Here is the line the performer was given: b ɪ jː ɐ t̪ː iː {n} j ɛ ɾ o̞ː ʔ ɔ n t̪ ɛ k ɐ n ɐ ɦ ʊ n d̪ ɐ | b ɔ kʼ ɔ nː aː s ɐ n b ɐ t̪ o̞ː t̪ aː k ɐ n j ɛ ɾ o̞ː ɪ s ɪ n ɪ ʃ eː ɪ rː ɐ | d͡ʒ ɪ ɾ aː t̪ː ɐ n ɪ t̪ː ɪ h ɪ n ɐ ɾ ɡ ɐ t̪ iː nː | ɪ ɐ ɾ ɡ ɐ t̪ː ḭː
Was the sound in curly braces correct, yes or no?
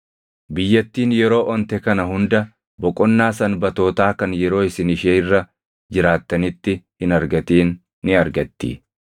yes